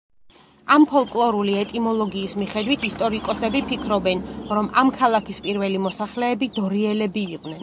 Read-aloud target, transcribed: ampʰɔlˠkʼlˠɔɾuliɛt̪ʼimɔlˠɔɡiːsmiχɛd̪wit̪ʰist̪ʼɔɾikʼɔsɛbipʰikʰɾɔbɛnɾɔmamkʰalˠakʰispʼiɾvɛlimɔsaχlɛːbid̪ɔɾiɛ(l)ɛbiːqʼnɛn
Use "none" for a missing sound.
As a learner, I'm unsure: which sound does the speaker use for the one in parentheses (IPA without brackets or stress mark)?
l